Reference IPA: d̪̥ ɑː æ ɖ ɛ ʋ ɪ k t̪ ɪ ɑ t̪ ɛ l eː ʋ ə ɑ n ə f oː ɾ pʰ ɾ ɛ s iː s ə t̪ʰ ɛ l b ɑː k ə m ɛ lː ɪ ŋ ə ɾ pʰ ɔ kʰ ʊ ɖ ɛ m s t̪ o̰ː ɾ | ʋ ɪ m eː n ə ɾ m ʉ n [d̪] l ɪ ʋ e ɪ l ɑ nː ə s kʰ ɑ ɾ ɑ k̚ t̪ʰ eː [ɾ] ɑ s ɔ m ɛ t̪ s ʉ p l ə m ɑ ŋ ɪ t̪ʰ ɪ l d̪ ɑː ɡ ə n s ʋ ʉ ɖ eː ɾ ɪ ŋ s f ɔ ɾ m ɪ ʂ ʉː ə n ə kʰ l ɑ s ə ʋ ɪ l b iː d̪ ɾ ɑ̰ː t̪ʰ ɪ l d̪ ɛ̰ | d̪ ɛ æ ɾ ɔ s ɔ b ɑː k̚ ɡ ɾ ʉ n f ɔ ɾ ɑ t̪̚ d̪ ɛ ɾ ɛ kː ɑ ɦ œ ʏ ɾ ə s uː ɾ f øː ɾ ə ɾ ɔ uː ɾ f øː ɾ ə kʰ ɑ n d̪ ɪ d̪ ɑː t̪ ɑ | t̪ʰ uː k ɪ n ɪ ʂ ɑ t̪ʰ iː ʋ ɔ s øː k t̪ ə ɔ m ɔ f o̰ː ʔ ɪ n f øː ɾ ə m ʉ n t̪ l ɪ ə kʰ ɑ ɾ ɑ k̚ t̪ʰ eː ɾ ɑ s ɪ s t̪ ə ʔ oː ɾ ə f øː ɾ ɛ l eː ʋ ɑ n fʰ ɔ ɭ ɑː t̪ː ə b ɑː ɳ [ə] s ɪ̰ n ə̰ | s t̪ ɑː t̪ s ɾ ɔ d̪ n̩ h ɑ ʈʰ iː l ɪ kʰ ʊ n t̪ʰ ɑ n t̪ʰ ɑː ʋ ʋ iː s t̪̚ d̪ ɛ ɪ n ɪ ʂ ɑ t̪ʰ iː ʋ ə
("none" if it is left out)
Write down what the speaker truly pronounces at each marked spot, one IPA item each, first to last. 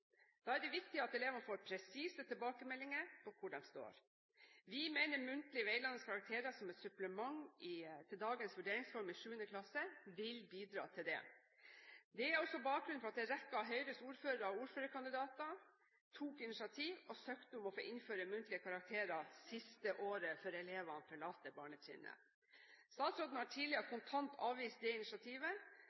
t̪, ɾ, ə

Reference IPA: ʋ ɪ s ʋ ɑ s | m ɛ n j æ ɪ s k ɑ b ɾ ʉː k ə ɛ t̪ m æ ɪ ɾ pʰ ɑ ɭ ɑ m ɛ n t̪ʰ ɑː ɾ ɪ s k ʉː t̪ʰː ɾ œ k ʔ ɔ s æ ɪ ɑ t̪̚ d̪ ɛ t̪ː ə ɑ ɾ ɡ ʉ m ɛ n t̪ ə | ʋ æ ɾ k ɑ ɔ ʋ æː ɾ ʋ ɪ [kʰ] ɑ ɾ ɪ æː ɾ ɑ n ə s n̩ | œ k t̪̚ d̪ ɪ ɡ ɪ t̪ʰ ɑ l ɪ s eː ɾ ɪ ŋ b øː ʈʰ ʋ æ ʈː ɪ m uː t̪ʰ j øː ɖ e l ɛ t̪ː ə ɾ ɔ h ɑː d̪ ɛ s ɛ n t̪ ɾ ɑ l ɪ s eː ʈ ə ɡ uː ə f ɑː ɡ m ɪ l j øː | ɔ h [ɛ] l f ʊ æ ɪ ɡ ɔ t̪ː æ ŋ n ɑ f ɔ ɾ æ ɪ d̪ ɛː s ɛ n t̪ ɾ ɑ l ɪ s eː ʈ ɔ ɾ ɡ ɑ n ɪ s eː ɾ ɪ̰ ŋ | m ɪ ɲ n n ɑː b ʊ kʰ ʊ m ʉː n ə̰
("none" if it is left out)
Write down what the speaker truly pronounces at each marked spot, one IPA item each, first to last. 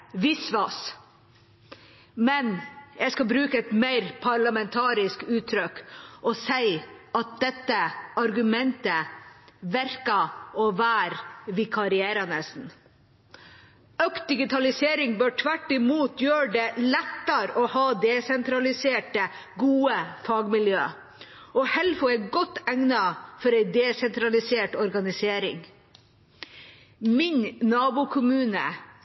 kʰ, ɛ

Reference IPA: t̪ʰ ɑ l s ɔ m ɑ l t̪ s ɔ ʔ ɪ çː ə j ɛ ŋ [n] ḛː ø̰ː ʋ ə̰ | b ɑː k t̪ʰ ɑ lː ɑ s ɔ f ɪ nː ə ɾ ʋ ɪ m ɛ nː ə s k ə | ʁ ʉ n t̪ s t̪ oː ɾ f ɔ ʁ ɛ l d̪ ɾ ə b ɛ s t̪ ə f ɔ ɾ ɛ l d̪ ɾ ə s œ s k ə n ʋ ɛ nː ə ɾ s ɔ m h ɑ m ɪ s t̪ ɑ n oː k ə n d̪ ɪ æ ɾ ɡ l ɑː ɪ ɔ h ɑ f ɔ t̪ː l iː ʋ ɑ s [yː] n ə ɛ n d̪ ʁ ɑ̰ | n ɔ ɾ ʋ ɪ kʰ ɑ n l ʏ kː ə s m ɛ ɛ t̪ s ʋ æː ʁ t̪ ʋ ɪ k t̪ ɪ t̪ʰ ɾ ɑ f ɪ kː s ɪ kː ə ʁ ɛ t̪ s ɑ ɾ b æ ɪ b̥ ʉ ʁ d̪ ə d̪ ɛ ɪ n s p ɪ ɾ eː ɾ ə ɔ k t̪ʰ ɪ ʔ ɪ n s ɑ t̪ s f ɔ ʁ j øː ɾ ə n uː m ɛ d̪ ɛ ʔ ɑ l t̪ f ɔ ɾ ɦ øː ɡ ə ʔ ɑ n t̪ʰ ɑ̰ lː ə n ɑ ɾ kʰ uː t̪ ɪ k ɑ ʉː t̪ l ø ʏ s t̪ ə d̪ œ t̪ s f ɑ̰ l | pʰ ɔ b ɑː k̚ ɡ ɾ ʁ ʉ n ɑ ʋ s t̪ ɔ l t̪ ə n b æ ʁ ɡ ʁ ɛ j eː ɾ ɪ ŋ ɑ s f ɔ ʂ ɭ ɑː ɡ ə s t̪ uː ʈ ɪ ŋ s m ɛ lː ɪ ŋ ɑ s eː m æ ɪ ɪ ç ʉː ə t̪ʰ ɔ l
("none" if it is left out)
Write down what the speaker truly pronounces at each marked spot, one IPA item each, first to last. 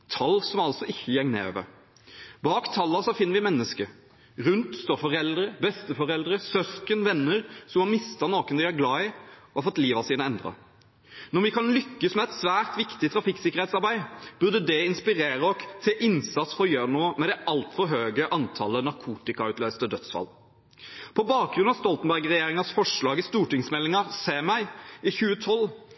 n, iː

